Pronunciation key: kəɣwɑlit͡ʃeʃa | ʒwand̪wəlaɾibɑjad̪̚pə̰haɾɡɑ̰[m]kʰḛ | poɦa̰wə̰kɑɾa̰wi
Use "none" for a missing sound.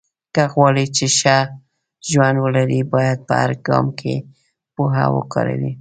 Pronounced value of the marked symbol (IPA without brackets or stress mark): m